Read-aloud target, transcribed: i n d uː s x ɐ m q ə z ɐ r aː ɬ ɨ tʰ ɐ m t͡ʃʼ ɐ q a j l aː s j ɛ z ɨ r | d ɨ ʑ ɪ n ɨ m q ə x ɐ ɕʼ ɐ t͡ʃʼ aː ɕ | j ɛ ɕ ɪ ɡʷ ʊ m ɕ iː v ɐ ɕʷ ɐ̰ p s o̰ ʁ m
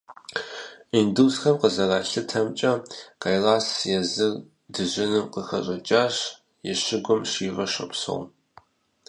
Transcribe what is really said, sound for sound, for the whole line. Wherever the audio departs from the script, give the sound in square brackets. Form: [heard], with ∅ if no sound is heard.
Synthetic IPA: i n d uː s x ɐ m q ə z ɐ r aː ɬ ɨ tʰ ɐ m t͡ʃʼ ɐ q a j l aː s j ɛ z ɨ r | d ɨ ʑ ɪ n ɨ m q ə x ɐ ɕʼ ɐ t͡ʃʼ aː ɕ | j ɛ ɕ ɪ ɡʷ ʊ m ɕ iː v ɐ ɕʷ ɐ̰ p s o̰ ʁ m